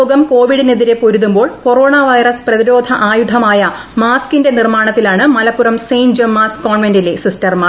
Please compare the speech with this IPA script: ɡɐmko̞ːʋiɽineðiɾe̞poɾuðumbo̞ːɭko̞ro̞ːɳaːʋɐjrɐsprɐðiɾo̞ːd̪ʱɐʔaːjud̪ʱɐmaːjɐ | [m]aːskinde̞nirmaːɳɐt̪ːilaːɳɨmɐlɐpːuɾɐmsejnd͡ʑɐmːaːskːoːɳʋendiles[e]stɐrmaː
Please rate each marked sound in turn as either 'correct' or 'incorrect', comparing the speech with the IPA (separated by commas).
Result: correct, incorrect